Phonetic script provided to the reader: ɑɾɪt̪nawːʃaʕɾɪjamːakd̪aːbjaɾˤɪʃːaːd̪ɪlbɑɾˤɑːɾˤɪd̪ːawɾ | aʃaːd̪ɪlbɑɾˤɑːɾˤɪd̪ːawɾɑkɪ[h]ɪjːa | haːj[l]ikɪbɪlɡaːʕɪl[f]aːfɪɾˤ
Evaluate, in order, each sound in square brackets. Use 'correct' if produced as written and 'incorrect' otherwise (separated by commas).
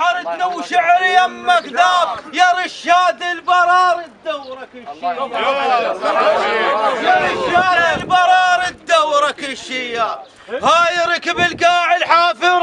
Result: incorrect, incorrect, incorrect